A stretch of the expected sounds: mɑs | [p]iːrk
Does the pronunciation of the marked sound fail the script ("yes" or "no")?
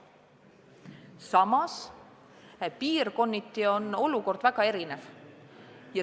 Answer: no